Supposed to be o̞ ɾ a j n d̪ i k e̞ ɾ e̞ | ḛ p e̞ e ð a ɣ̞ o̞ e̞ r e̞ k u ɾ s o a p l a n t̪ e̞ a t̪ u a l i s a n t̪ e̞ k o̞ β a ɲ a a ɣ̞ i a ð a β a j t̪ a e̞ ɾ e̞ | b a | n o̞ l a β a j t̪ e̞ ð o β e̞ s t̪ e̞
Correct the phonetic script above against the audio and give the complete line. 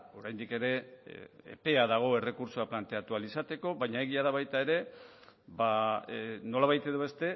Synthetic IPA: o̞ ɾ a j n d̪ i k e̞ ɾ e̞ | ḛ p e̞ a ð a ɣ̞ o̞ e̞ r e̞ k u ɾ s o a p l a n t̪ e̞ a t̪ u a l i s a t̪ e̞ k o̞ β a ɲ a e ɣ̞ i a ð a β a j t̪ a e̞ ɾ e̞ | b a | n o̞ l a β a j t̪ e̞ ð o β e̞ s t̪ e̞